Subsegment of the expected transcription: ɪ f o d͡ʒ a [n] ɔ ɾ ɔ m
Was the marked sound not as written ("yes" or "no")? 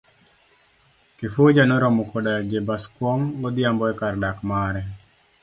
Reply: no